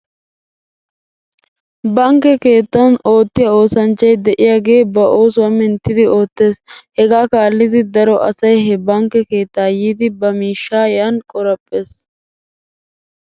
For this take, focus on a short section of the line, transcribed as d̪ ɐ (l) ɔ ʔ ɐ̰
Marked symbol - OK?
no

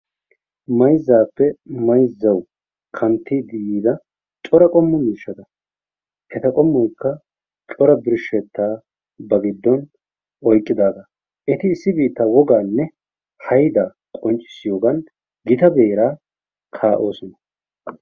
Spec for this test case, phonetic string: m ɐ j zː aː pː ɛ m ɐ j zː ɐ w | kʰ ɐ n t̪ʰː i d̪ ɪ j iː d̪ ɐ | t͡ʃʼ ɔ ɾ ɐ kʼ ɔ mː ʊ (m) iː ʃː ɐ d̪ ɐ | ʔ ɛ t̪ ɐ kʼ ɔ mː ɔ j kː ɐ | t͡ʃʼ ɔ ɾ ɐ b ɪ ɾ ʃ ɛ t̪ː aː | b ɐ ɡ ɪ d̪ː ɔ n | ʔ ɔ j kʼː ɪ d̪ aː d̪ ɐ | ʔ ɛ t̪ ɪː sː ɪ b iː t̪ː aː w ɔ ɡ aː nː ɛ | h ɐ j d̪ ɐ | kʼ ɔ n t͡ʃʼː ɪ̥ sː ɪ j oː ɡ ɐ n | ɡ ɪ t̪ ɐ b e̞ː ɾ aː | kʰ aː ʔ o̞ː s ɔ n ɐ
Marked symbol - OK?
yes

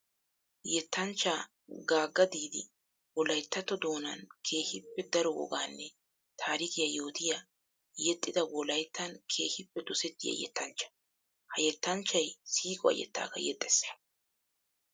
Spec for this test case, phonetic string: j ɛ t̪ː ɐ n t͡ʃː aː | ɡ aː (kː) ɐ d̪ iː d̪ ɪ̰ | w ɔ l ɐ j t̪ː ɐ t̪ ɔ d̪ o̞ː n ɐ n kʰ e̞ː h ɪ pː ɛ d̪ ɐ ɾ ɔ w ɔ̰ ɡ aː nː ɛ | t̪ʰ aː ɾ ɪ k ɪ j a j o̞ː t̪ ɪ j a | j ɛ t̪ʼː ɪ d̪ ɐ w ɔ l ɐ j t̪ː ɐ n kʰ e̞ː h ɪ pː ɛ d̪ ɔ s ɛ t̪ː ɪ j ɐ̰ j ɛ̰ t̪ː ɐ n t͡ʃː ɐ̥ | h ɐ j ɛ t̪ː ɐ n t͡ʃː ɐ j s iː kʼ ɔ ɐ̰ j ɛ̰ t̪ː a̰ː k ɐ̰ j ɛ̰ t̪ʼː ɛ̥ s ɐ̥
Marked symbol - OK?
no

